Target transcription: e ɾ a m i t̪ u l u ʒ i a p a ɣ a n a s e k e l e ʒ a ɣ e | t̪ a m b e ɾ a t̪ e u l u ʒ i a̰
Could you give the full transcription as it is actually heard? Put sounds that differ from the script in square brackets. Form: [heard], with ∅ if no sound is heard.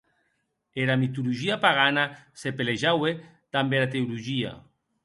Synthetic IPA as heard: e ɾ a m i t̪ u l u ʒ i a p a ɣ a n a s e [p] e l e ʒ a [w] e | t̪ a m b e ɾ a t̪ e u l u ʒ i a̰

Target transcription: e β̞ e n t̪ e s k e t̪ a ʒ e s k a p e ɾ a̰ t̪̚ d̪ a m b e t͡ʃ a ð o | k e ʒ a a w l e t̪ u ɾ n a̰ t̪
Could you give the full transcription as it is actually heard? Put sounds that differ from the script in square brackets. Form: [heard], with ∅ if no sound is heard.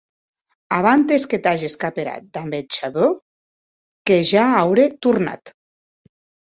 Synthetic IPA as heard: [a] β̞ [a] n t̪ e s k e t̪ a ʒ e s k a p e ɾ a̰ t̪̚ d̪ a m b e t͡ʃ a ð o | k e ʒ a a w [ɾ] e t̪ u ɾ n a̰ t̪

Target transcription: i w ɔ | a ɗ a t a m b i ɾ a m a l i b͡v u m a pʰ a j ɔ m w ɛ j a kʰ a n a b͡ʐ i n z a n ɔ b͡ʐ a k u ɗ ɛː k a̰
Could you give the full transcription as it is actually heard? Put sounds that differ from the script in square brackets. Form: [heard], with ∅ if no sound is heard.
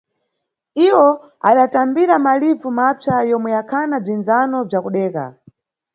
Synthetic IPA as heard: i w ɔ | a ɗ a t a m b i ɾ a m a l i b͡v u m a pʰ a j ɔ m w ɛ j a kʰ a n a b͡ʐ i n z a n ɔ b͡ʐ a k u ɗ ɛː k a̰

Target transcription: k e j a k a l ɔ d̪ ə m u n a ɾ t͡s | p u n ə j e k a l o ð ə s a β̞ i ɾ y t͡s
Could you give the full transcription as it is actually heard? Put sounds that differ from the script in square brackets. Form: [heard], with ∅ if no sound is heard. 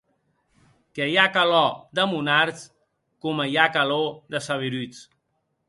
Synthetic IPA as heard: k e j a k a l ɔ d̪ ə m u n a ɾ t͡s | [k] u [m] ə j [a] k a l o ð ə s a β̞ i ɾ y t͡s

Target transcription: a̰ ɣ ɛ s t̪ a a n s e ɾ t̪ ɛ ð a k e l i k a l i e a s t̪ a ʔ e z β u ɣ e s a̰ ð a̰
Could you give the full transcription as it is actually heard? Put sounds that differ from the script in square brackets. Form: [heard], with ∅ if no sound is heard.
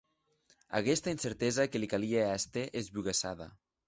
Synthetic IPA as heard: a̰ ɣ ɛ s t̪ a [i] n s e ɾ t̪ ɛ [z] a k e l i k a l i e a s t̪ [e] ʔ e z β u ɣ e s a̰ ð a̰

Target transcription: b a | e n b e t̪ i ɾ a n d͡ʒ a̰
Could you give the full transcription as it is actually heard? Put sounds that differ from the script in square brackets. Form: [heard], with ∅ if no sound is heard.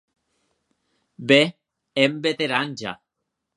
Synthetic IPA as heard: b [e] | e [m] b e t̪ [e] ɾ a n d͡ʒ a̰

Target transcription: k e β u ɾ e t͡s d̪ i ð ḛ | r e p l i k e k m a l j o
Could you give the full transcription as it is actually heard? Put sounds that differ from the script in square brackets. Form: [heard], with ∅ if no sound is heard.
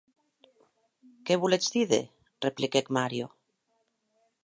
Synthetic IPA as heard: k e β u [l] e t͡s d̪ i ð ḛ | r e p l i k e k m a [ɾ] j o

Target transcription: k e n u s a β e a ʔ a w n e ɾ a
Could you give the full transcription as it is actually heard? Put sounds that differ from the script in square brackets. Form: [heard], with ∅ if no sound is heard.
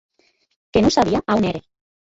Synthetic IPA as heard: k e n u s a β [i] a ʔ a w n e ɾ [e]

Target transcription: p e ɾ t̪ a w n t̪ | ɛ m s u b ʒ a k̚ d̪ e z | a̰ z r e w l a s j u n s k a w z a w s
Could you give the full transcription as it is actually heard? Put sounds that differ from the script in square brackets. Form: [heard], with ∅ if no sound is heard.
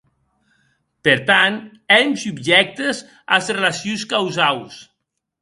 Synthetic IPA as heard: p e ɾ t̪ a [∅] n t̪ | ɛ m s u b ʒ [ɛ] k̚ [t̪] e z | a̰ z r e [∅] l a s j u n s k a w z a w s

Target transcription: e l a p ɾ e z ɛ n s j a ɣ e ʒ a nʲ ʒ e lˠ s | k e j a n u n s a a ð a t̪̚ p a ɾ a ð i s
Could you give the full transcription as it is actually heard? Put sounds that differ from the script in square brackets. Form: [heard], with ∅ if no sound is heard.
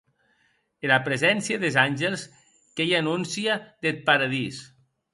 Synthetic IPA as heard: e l a p ɾ e z ɛ n s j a [ð] e [z] a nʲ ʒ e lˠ s | k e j a n u n s [i] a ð [e] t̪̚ p a ɾ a ð i s

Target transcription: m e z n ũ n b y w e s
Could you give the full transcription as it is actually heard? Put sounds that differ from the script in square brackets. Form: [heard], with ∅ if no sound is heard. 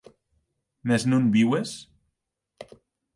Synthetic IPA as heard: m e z n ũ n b [i] w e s

